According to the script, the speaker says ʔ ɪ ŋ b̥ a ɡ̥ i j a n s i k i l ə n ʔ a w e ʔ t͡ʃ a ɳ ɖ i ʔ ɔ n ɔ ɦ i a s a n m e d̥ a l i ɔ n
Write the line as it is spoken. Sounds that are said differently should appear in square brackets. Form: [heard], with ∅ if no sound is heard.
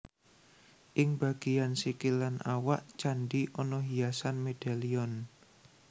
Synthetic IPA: ʔ ɪ ŋ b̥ a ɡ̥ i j a n s i k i l [a] n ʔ a w [a] ʔ t͡ʃ a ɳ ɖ i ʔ ɔ n ɔ ɦ i a s a n m e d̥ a l i ɔ n